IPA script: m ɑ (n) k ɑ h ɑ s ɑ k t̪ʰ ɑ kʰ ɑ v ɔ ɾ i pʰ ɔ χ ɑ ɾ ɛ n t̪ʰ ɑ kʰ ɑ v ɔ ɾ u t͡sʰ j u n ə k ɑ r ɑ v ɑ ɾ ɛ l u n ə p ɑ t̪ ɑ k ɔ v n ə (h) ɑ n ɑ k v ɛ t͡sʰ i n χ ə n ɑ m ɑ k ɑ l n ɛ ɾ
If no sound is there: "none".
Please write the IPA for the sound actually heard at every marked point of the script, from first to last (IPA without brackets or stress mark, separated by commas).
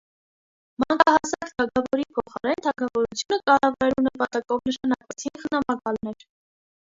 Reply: ŋ, ʃ